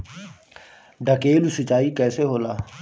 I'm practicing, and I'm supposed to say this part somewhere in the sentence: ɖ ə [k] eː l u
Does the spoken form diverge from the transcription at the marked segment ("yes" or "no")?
no